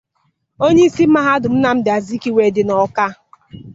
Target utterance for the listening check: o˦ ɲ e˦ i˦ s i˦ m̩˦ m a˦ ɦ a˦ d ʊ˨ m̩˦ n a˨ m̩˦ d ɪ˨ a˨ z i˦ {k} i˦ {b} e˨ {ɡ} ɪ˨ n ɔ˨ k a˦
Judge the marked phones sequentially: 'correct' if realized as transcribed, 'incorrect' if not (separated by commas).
correct, incorrect, incorrect